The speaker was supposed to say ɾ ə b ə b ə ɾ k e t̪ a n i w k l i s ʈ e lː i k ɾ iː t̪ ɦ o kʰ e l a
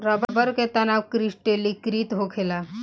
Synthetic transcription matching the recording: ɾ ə b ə b ə ɾ k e t̪ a n a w k ɾ i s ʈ e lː i k ɾ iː t̪ ɦ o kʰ e l a